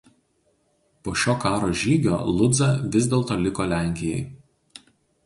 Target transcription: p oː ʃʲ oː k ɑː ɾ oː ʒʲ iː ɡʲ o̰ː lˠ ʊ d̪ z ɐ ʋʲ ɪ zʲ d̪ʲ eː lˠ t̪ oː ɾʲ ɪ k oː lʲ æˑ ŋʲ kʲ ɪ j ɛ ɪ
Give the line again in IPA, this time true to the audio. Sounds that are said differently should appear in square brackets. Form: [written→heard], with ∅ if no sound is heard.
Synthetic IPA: p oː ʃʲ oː k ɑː ɾ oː ʒʲ iː ɡʲ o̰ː lˠ ʊ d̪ z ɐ ʋʲ ɪ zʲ d̪ʲ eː lˠ t̪ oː [ɾʲ→lʲ] ɪ k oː lʲ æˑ ŋʲ kʲ ɪ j ɛ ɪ

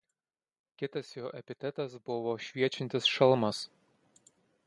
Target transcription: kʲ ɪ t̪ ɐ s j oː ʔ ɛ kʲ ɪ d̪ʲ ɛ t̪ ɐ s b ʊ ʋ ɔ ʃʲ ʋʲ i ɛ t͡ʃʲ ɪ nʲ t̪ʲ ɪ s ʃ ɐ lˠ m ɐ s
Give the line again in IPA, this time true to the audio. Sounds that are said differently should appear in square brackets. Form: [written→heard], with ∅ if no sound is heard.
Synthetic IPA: kʲ ɪ t̪ ɐ s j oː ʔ ɛ [kʲ→pʲ] ɪ [d̪ʲ→t̪ʲ] ɛ t̪ ɐ s b ʊ ʋ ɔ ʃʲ ʋʲ i ɛ t͡ʃʲ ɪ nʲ t̪ʲ ɪ s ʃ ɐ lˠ m ɐ s

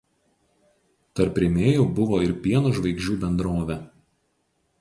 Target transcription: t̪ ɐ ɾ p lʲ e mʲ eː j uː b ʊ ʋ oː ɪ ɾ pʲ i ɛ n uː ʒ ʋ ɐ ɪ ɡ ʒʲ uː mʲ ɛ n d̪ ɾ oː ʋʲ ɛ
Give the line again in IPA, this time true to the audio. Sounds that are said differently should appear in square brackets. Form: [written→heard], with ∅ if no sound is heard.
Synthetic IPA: t̪ ɐ ɾ p [lʲ→ɾʲ] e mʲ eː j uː b ʊ ʋ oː ɪ ɾ pʲ i ɛ n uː ʒ ʋ ɐ ɪ ɡ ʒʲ uː [mʲ→bʲ] ɛ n d̪ ɾ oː ʋʲ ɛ

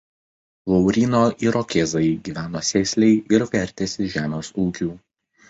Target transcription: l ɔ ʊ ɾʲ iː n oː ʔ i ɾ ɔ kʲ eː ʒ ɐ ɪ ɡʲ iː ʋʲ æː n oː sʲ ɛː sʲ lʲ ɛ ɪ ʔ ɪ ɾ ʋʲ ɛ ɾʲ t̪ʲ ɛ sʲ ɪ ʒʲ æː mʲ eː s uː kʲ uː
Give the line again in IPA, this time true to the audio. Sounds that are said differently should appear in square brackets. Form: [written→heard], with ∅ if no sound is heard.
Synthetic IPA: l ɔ ʊ ɾʲ iː n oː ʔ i ɾ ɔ kʲ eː [ʒ→z] ɐ ɪ ɡʲ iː ʋʲ æː n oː sʲ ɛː sʲ lʲ ɛ ɪ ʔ ɪ ɾ ʋʲ ɛ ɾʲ t̪ʲ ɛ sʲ ɪ ʒʲ æː mʲ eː s uː kʲ uː

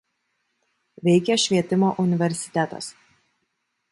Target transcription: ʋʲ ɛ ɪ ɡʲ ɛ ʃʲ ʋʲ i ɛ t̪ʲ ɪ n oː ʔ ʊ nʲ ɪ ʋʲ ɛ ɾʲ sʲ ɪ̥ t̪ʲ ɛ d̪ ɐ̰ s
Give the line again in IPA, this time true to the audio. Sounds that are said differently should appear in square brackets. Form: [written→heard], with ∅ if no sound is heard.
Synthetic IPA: ʋʲ ɛ ɪ [ɡʲ→kʲ] ɛ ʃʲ ʋʲ i ɛ t̪ʲ ɪ [n→m] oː ʔ ʊ nʲ ɪ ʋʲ ɛ ɾʲ sʲ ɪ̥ t̪ʲ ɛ [d̪→t̪] ɐ̰ s

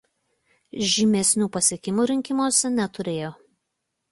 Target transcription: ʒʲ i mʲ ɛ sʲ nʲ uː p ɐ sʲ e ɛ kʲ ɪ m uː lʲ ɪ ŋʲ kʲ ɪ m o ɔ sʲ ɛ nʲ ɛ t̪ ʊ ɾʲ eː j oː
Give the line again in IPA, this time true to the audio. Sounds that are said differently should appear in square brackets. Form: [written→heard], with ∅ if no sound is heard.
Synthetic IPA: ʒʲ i mʲ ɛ sʲ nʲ uː p ɐ sʲ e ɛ kʲ ɪ m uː [lʲ→ɾʲ] ɪ ŋʲ kʲ ɪ m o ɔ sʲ ɛ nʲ ɛ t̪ ʊ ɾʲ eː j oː

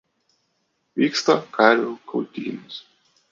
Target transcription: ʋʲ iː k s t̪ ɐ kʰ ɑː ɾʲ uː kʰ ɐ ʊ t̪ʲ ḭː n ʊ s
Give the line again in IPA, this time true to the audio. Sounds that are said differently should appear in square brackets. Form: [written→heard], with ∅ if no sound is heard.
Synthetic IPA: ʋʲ iː k s t̪ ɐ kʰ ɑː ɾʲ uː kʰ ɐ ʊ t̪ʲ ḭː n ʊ s

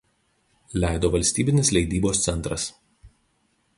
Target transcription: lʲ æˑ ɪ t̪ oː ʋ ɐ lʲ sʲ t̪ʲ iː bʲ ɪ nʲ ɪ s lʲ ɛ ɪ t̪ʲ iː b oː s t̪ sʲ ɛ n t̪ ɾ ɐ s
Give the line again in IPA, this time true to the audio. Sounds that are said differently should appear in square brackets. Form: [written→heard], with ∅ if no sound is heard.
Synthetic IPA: lʲ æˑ ɪ [t̪→d̪] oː ʋ ɐ lʲ sʲ t̪ʲ iː bʲ ɪ nʲ ɪ s lʲ ɛ ɪ [t̪ʲ→d̪ʲ] iː b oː s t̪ sʲ ɛ n t̪ ɾ ɐ s

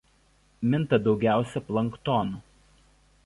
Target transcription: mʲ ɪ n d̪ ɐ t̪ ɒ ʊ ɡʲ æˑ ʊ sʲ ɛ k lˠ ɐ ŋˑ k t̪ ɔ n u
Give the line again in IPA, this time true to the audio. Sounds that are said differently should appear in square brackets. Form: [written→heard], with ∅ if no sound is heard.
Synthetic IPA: mʲ ɪ n [d̪→t̪] ɐ [t̪→d̪] ɒ ʊ ɡʲ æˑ ʊ sʲ ɛ [k→p] lˠ ɐ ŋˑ k t̪ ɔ n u

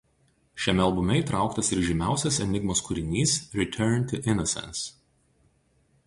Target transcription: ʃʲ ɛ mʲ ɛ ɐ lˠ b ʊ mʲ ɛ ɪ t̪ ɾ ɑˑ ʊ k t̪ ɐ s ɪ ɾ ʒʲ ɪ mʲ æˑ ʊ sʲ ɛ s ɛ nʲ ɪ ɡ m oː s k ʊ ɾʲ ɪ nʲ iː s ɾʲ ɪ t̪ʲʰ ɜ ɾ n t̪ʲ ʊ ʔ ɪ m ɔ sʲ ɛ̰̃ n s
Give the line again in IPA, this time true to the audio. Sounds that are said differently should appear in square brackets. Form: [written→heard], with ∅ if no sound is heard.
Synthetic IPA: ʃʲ ɛ mʲ ɛ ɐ lˠ b ʊ mʲ ɛ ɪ t̪ ɾ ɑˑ ʊ k t̪ ɐ s ɪ ɾ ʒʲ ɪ mʲ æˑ ʊ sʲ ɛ s ɛ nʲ ɪ ɡ m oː s k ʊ ɾʲ ɪ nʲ iː s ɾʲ ɪ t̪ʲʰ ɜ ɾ n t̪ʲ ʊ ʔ ɪ [m→n] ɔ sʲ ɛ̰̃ n s

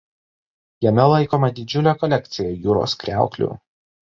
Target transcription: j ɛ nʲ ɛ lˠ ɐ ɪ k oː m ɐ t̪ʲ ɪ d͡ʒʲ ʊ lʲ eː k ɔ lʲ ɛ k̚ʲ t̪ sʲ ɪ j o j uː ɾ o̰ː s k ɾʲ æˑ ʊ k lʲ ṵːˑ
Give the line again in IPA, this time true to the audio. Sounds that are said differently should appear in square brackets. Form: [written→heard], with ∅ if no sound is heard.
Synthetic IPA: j ɛ [nʲ→mʲ] ɛ lˠ ɐ ɪ k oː m ɐ [t̪ʲ→d̪ʲ] ɪ d͡ʒʲ ʊ lʲ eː k ɔ lʲ ɛ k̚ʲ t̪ sʲ ɪ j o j uː ɾ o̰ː s k ɾʲ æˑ ʊ k lʲ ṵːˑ

